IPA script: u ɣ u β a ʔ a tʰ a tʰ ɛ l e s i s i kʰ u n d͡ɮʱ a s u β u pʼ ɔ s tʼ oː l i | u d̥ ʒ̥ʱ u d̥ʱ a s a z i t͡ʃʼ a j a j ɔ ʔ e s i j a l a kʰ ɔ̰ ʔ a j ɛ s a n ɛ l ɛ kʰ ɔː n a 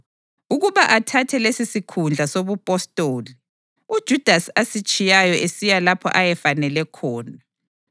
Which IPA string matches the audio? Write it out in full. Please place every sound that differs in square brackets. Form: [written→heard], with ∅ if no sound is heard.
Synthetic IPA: u ɣ u β a ʔ a tʰ a tʰ ɛ l e s i s i kʰ u n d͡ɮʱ a s [u→o] β u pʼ ɔ s tʼ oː l i | u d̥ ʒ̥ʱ u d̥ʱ a s a [z→s] i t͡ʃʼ [a→i] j a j ɔ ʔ e s i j a l a [kʰ→pʰ] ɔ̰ ʔ a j ɛ [s→f] a n ɛ l ɛ kʰ ɔː n a